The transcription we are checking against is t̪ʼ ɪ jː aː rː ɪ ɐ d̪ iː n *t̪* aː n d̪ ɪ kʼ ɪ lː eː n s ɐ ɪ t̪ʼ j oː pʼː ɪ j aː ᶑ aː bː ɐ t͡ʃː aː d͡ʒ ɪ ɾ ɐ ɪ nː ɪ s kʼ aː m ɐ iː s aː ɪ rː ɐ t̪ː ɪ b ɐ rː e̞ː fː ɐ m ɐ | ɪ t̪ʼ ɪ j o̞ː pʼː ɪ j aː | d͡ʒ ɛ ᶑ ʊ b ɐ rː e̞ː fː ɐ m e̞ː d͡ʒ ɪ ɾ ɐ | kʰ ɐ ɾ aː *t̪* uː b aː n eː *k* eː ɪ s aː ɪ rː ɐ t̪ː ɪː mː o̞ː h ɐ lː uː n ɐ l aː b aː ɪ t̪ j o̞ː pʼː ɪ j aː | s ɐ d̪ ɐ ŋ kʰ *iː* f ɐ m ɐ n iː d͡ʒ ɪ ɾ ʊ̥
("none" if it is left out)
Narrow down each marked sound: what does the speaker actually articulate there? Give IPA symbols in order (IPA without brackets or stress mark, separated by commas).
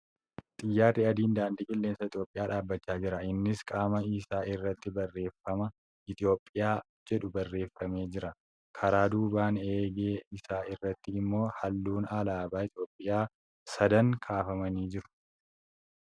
d̪, d̪, ɡ, aː